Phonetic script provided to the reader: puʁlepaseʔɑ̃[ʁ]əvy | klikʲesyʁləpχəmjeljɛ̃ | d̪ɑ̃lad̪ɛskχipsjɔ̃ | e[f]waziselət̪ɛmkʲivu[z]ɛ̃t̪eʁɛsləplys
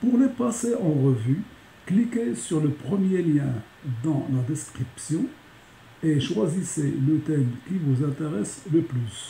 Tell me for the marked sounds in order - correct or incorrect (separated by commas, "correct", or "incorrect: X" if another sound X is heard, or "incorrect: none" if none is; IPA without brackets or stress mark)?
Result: correct, incorrect: ʃ, correct